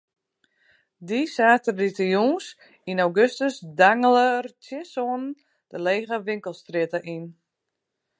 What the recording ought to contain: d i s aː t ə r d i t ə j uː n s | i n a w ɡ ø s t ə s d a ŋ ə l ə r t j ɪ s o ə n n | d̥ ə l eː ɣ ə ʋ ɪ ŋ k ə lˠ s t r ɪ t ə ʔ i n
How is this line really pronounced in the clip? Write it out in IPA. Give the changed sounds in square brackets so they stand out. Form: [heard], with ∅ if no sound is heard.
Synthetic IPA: d i s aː t ə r d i t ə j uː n s | i n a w ɡ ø s t ə s d a ŋ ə l ə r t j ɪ s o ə n n | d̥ ə l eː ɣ ə ʋ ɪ ŋ k ə lˠ s t r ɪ t ə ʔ i n